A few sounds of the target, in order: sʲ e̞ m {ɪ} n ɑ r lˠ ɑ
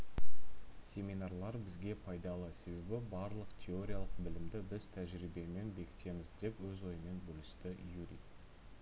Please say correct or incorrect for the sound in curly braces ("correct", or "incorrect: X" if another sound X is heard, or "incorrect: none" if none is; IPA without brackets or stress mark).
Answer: incorrect: i